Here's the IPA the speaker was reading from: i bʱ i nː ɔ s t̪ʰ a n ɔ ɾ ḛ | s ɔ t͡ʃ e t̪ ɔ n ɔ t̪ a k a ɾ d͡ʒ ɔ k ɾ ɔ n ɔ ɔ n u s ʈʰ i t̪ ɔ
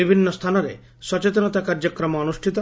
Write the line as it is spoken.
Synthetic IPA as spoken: i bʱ i nː ɔ s t̪ʰ a n ɔ ɾ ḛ | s ɔ t͡ʃ e t̪ ɔ n ɔ t̪ a k a ɾ d͡ʒ ɔ k ɾ ɔ m ɔ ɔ n u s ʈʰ i t̪ ɔ